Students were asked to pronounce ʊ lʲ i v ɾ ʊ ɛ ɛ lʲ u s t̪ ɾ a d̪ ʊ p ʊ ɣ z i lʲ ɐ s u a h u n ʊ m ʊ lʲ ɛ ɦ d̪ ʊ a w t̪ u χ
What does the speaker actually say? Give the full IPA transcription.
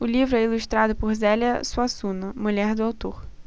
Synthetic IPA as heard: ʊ lʲ i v ɾ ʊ ɛ i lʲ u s t̪ ɾ a d̪ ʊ p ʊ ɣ z ɛ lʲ ɐ s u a s u n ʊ m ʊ lʲ ɛ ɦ d̪ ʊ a w t̪ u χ